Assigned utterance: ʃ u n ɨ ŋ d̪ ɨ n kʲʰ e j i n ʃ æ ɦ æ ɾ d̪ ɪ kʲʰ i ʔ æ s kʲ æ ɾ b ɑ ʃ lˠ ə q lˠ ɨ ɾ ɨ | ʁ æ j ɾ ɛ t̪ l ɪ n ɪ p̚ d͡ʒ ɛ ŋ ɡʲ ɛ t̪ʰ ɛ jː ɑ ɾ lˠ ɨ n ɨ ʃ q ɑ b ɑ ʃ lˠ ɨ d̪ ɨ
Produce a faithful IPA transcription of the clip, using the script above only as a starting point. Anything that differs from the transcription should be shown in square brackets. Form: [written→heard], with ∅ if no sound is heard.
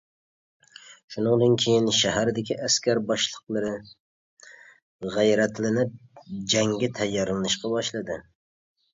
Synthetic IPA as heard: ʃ u n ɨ ŋ d̪ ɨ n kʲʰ e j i n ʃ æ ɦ æ ɾ d̪ ɪ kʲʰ i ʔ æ s kʲ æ ɾ b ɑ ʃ lˠ ə q lˠ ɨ ɾ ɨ | ʁ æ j ɾ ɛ t̪ l ɪ n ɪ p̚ d͡ʒ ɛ ŋ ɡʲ ɛ t̪ʰ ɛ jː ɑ ɾ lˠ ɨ n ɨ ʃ q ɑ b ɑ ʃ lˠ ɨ d̪ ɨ